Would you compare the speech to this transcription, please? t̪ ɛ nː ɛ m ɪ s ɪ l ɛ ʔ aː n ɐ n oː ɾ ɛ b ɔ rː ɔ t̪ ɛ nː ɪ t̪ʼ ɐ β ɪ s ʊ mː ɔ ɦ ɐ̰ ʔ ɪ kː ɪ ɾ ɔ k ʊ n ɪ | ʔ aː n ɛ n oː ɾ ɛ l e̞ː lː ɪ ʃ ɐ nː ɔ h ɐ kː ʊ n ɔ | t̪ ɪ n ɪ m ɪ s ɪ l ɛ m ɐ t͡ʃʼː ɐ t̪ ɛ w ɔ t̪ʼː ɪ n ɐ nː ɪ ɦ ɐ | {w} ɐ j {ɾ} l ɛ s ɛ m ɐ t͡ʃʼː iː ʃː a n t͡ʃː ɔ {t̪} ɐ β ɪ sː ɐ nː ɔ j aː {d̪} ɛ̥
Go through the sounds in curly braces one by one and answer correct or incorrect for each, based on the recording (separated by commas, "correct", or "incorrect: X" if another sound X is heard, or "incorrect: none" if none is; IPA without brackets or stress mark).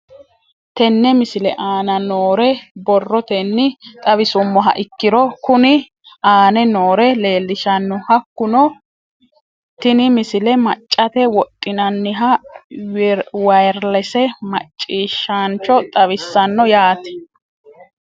correct, correct, incorrect: t̪ʼ, incorrect: t̪